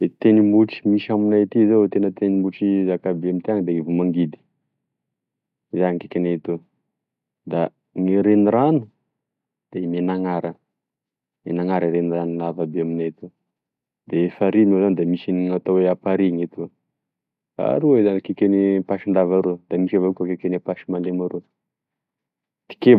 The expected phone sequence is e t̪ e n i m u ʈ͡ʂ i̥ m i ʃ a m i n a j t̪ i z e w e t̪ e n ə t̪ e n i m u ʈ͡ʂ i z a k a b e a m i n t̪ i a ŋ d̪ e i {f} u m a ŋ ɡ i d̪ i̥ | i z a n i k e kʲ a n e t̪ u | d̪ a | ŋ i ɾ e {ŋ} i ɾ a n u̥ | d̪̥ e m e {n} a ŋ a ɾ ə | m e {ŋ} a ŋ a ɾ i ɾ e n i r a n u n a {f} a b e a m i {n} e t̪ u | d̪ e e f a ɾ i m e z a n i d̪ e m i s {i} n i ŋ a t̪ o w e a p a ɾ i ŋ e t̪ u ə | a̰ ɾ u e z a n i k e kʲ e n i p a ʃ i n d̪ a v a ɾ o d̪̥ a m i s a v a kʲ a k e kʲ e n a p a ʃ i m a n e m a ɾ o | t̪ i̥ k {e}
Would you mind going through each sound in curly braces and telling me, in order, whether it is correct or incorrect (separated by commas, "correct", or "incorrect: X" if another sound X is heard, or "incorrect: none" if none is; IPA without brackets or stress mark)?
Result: incorrect: v, incorrect: n, correct, incorrect: n, incorrect: v, correct, correct, correct